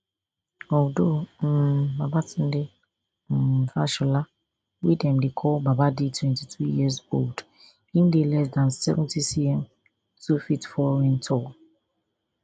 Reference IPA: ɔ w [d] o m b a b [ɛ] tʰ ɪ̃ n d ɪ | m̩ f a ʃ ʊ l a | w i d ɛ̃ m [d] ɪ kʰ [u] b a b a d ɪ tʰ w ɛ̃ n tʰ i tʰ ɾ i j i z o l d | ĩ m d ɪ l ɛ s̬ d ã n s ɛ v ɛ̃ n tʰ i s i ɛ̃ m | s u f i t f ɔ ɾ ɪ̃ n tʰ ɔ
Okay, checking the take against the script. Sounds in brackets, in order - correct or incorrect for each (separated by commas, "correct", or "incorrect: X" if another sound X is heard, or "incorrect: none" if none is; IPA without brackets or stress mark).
correct, incorrect: a, correct, incorrect: ɔ